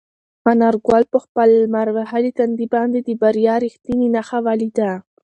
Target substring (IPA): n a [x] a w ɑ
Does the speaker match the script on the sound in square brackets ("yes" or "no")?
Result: yes